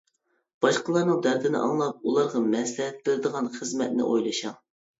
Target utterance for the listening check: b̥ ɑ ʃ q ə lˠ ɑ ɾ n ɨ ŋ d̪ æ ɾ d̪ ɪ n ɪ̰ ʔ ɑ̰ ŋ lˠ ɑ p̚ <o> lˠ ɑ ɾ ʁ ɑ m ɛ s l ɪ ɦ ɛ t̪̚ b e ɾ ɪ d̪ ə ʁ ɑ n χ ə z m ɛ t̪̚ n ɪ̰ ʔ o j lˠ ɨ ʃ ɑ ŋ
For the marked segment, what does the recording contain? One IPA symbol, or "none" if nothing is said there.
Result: u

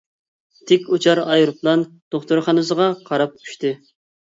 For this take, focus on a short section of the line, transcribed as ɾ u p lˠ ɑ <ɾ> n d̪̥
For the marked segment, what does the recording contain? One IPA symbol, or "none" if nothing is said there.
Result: none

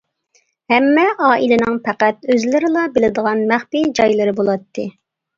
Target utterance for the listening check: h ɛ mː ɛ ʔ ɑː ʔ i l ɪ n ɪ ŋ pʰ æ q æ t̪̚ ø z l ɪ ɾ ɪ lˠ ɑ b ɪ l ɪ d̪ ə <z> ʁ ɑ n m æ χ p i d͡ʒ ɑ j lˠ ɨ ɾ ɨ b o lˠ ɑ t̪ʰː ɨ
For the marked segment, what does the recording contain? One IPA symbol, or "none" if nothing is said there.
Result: none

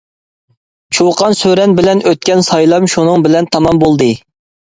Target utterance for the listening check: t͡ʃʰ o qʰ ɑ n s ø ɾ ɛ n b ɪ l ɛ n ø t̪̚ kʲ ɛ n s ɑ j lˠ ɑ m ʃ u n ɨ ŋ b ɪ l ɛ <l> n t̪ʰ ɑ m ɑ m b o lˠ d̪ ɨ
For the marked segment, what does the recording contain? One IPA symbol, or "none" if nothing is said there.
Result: none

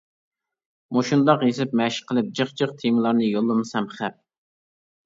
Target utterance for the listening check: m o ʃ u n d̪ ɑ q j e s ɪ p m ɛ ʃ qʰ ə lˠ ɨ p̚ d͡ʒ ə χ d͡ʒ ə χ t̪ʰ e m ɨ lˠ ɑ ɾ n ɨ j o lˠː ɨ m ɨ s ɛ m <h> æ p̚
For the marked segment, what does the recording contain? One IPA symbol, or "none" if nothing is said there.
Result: χ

